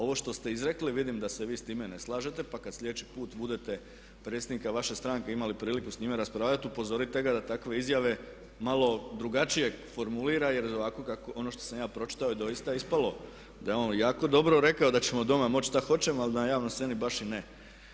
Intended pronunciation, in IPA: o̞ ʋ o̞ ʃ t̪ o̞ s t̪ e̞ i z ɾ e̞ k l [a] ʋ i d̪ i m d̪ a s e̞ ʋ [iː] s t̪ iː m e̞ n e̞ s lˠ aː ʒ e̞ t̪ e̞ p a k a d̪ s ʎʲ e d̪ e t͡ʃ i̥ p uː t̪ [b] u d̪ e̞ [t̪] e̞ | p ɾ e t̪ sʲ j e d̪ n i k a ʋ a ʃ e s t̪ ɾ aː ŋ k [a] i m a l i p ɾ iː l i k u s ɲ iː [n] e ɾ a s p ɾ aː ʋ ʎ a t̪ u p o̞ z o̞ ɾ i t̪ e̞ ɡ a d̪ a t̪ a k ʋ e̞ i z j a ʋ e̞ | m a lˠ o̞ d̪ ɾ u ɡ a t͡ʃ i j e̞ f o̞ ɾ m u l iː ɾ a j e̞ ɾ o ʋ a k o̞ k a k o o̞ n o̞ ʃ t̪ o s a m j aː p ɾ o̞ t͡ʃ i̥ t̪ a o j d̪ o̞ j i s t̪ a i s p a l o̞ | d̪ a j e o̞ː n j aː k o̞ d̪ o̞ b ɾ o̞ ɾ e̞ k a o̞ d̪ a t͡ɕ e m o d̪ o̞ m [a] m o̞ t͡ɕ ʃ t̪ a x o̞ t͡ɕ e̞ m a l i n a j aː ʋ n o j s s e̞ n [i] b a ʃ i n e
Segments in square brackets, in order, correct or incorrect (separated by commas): incorrect, correct, correct, correct, incorrect, incorrect, correct, correct